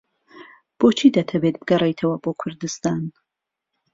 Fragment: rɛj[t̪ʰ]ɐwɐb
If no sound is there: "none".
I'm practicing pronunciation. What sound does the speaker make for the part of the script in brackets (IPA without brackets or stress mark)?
t̪ʰ